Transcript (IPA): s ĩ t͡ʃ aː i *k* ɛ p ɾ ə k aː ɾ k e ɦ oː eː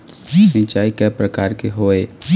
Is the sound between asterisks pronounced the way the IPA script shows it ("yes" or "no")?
yes